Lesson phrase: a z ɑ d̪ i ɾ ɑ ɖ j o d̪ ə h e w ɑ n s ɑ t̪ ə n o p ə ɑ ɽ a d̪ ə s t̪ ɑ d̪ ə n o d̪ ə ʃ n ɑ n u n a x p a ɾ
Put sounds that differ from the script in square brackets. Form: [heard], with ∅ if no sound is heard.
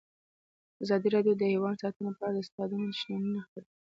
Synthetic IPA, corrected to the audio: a z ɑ d̪ i ɾ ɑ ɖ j o d̪ ə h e w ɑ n s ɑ t̪ ə n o p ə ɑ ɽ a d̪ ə s t̪ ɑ d̪ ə n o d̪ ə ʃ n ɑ n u n a x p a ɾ